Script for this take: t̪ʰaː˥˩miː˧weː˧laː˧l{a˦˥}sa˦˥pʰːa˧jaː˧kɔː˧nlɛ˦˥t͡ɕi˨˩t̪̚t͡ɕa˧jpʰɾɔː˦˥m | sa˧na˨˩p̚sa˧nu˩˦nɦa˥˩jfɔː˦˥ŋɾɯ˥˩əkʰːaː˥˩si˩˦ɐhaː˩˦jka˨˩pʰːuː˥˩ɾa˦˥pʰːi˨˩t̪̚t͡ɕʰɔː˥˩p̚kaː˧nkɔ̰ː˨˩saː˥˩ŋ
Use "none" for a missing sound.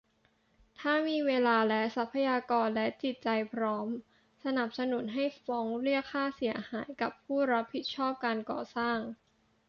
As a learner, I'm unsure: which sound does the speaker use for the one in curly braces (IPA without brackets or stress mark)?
ɛ˦˥